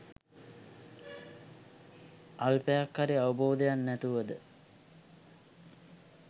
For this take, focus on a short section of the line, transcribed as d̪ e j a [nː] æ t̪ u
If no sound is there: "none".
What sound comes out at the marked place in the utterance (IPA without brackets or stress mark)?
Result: nː